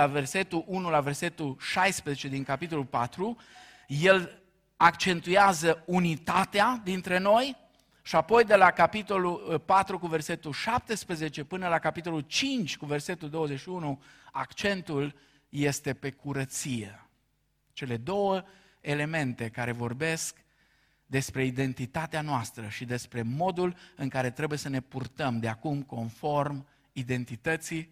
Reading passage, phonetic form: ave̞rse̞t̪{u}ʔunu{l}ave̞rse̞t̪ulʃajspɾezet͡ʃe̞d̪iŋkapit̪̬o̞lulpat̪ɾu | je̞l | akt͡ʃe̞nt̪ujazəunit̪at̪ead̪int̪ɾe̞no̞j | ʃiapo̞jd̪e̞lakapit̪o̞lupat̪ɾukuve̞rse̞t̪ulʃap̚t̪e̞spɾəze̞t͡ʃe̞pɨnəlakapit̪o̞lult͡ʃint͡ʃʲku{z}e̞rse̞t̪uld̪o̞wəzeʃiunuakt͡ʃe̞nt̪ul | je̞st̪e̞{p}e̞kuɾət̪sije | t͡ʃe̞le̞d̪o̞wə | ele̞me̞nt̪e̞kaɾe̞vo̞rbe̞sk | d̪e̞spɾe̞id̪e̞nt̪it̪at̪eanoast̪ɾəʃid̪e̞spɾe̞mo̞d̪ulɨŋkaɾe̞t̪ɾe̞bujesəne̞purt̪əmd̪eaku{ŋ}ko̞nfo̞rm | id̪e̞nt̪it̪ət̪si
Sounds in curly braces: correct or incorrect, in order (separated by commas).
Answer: correct, correct, incorrect, correct, incorrect